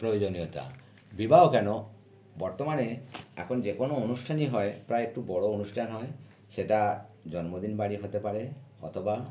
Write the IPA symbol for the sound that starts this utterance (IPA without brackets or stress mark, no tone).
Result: p